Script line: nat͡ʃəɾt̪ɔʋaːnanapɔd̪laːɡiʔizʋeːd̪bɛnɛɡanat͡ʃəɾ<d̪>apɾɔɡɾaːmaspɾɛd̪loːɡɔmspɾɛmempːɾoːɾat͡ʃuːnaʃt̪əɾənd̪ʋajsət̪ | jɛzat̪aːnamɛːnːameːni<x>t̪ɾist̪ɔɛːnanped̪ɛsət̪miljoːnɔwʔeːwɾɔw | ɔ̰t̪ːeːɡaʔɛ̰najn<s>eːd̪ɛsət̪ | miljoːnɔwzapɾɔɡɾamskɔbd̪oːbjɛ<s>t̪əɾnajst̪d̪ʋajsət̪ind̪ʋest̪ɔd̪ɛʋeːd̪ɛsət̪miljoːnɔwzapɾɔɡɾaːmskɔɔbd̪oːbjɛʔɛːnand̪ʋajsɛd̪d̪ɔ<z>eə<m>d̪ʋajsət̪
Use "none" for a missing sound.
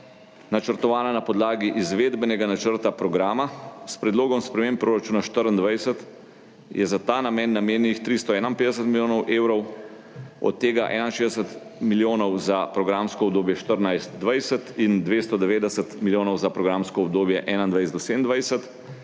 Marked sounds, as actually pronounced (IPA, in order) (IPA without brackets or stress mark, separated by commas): t̪, x, ʃ, ʃ, s, n